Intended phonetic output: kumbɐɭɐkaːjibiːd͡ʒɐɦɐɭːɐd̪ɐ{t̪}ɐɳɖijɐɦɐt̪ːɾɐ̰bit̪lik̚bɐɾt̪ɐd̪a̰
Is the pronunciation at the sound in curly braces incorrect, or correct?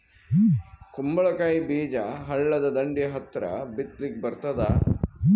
incorrect